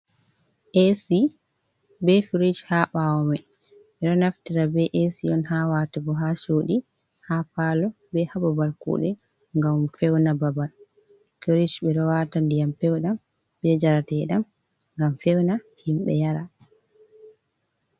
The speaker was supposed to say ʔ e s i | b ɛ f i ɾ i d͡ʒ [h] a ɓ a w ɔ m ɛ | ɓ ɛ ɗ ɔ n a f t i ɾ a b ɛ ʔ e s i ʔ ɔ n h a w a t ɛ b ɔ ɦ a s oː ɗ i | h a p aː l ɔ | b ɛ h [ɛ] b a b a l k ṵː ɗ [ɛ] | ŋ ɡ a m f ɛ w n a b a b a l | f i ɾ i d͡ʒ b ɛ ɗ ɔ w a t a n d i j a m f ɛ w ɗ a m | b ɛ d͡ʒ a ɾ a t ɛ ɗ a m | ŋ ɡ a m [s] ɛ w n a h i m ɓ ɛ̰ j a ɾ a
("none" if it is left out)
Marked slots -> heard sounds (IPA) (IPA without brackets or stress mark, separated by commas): h, a, ɛ, f